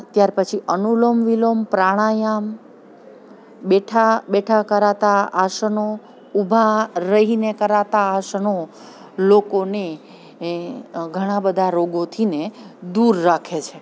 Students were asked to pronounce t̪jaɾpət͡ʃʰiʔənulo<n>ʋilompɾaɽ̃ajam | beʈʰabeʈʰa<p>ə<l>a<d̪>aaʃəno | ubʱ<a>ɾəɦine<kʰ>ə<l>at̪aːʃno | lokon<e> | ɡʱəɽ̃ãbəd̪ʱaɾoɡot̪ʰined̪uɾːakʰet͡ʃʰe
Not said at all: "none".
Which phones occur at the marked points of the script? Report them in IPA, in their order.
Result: m, k, ɾ, t̪, a, k, ɾ, e

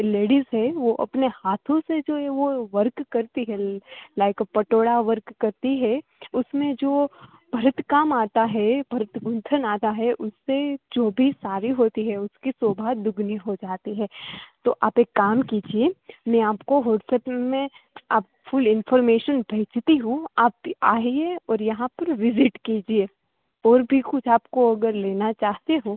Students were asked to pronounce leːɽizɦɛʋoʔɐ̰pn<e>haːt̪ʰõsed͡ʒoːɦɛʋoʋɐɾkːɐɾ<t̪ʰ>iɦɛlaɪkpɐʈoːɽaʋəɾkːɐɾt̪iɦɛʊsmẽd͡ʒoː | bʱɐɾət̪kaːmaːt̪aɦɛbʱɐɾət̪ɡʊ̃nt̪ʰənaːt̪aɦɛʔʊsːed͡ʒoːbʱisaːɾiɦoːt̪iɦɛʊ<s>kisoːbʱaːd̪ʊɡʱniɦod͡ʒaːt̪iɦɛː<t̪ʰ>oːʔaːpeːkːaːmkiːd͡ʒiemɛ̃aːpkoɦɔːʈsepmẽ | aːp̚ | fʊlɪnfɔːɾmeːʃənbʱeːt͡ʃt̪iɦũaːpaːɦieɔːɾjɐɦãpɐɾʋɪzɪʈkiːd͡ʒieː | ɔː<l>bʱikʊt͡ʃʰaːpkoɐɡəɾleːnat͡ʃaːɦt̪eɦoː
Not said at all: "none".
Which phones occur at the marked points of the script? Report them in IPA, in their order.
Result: e, t̪, s, t̪, ɾ

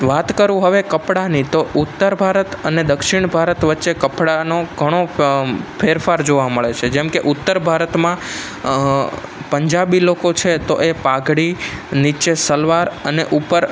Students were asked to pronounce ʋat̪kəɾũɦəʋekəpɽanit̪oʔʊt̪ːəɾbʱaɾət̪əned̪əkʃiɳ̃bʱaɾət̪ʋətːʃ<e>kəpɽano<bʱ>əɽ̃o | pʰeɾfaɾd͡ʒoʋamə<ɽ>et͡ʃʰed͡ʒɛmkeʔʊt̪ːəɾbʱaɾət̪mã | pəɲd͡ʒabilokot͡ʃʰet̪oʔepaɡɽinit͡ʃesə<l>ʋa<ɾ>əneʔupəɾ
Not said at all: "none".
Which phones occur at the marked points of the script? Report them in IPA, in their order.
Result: e, ɡʱ, ɭ, l, ɾ

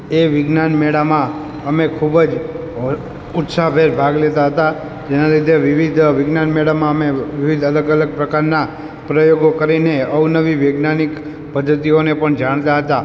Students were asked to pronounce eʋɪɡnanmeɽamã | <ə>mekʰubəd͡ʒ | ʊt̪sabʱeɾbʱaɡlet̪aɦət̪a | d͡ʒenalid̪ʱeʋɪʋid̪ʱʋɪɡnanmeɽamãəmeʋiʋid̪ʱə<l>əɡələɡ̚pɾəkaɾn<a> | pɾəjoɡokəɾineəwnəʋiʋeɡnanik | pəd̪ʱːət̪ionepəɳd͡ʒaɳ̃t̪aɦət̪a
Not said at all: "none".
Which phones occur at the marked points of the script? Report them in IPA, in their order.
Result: ə, l, a

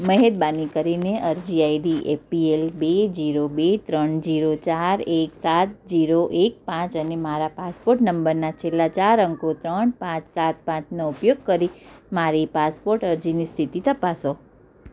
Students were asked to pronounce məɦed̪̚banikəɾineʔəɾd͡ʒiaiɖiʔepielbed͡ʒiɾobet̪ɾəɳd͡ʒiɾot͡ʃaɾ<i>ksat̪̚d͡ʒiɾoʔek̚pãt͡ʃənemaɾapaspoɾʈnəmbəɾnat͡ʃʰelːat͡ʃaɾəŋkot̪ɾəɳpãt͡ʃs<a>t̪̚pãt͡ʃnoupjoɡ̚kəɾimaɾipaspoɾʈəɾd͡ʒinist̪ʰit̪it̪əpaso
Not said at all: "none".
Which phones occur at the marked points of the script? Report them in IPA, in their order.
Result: e, a

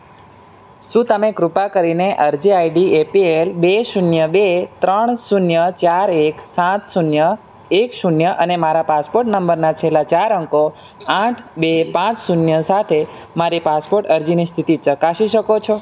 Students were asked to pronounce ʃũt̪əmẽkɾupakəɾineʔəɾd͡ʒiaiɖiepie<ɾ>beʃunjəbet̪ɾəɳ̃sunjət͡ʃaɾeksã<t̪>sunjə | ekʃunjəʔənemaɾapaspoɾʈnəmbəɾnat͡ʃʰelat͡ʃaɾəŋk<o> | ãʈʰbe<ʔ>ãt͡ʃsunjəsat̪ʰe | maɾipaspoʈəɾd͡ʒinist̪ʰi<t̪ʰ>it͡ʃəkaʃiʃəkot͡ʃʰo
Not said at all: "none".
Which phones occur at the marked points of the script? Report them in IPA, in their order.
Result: l, t̪, o, p, t̪

